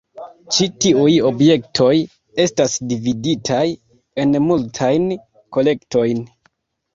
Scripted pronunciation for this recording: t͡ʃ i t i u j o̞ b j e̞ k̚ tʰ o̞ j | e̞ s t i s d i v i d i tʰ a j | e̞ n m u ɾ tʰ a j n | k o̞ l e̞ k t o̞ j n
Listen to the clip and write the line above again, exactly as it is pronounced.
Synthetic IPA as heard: t͡ʃ i t i u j o̞ b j e̞ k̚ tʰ o̞ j | e̞ s t a s d i v i d i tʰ a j | e̞ n m u l tʰ a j n | k o̞ l e̞ k t o̞ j n

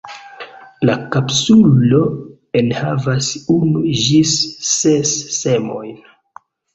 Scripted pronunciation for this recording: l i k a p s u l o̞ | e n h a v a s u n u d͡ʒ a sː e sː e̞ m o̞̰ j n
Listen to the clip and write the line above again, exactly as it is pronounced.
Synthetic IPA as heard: l a k a p s u l o̞ | e n h a v a s u n u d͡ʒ i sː e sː e̞ m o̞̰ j n

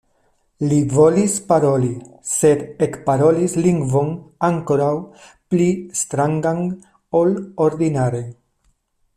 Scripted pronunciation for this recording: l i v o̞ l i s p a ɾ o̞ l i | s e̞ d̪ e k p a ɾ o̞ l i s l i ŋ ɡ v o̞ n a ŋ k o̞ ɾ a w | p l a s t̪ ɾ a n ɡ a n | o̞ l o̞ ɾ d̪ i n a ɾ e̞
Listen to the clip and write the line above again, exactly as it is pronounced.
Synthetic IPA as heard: l i v o̞ l i s p a ɾ o̞ l i | s e̞ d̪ e k p a ɾ o̞ l i s l i ŋ ɡ v o̞ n a ŋ k o̞ ɾ a w | p l i s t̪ ɾ a ŋ ɡ a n | o̞ l o̞ ɾ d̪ i n a ɾ e̞

